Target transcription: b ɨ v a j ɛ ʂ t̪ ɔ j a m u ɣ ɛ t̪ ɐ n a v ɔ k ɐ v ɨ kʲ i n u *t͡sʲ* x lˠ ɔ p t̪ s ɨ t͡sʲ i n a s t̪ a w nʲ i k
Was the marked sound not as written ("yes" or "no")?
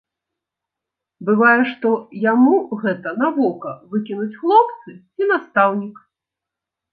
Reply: no